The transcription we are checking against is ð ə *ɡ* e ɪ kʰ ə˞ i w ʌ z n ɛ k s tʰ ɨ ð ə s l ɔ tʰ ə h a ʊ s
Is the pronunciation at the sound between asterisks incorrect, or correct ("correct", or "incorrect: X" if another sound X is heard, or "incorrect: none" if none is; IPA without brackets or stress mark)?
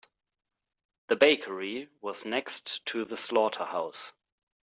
incorrect: b